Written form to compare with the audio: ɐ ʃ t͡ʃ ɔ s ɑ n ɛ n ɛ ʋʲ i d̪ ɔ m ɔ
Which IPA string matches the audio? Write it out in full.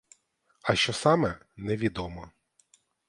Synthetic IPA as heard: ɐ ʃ t͡ʃ ɔ s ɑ m ɛ n ɛ ʋʲ i d̪ ɔ m ɔ